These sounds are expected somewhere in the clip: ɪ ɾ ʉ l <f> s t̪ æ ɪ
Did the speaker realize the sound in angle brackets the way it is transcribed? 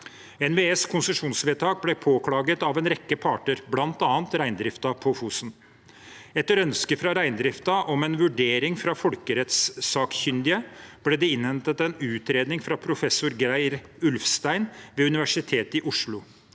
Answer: yes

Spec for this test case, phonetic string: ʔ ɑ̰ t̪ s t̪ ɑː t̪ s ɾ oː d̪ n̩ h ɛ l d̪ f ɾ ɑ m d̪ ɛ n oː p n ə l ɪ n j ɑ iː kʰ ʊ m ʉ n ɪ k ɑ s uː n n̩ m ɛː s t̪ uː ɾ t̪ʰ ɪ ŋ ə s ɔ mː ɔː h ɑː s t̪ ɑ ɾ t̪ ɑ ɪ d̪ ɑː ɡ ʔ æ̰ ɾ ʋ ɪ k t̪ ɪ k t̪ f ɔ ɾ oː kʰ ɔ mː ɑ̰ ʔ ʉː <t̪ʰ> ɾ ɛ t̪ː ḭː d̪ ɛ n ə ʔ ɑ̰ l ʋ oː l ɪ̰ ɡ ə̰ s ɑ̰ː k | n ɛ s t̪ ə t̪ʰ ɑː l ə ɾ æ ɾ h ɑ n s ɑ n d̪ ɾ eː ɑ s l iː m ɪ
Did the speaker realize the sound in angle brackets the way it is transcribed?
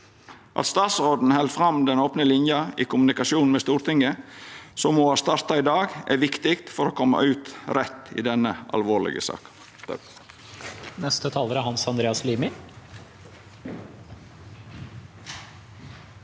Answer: no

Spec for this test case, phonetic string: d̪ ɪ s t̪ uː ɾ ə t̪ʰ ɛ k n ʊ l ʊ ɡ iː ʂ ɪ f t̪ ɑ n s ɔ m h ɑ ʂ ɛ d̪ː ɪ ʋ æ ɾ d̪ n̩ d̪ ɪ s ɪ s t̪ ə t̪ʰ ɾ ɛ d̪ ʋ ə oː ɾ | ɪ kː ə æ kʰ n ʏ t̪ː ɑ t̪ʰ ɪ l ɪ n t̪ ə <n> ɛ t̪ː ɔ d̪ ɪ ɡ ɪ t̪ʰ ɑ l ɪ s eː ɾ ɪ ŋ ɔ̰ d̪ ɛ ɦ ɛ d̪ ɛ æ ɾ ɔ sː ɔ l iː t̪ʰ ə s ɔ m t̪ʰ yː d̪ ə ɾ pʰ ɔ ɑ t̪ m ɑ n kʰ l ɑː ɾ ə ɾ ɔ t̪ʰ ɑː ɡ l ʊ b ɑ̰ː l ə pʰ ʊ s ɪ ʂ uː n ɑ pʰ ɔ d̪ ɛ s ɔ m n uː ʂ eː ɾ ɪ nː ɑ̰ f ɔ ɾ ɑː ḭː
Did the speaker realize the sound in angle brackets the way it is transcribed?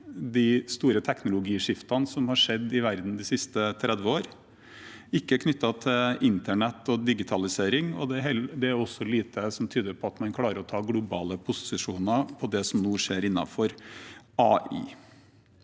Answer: no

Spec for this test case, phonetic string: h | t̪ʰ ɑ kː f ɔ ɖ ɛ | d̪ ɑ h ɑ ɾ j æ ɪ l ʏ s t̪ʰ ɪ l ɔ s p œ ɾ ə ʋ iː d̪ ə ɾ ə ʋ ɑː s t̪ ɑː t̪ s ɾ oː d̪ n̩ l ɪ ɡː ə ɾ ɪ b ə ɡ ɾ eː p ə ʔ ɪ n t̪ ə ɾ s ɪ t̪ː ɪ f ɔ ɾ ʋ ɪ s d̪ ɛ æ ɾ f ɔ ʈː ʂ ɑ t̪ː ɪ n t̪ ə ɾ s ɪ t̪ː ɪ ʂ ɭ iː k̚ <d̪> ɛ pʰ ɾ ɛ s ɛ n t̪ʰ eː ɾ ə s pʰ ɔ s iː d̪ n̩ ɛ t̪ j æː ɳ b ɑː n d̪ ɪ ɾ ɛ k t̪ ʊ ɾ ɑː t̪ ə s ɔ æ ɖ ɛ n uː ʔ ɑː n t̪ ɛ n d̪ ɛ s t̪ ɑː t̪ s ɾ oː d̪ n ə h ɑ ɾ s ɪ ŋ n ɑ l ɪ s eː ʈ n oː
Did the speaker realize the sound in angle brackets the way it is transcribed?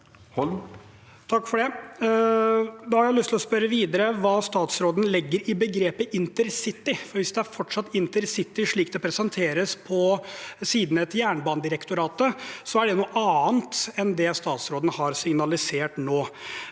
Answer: yes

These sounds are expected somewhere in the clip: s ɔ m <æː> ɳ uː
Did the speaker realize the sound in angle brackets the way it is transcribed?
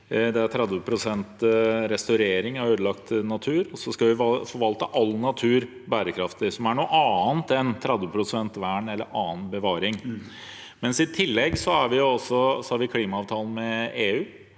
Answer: no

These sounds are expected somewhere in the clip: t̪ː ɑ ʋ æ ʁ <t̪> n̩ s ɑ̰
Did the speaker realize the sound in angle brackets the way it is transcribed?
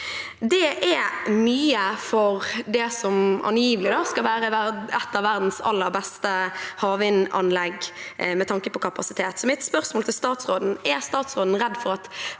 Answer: no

